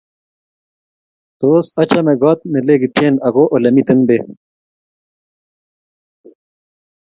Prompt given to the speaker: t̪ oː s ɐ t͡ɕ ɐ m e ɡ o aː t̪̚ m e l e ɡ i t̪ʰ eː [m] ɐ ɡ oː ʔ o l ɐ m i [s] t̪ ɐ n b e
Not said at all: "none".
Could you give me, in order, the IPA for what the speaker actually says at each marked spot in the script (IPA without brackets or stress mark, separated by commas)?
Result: n, none